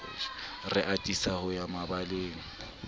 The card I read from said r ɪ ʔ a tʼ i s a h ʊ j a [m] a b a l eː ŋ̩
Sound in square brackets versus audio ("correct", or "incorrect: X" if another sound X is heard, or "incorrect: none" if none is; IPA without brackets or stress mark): correct